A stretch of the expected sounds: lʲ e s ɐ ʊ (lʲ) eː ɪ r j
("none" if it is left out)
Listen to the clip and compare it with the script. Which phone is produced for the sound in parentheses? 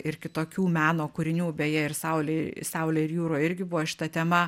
lʲ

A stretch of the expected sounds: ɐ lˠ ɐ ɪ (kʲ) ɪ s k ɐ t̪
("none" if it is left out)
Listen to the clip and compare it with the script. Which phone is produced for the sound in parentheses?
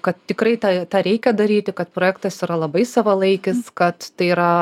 kʲ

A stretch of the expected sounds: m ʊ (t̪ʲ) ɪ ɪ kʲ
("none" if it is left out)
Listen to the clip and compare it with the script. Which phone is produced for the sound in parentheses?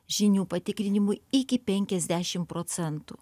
none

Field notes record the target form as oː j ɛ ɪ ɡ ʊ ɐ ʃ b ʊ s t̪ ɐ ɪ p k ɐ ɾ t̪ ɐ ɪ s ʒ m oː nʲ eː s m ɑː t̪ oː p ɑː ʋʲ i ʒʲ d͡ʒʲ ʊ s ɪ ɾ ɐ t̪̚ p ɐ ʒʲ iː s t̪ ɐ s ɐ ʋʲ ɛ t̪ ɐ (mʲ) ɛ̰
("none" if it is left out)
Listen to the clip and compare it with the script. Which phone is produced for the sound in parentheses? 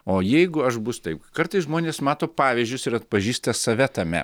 mʲ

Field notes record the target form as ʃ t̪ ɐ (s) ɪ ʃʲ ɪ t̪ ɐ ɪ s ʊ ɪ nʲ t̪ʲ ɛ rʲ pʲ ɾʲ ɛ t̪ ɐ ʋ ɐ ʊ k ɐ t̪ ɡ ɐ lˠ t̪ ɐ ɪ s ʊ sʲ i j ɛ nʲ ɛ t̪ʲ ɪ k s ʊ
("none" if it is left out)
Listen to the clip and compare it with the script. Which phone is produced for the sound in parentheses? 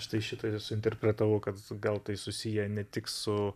none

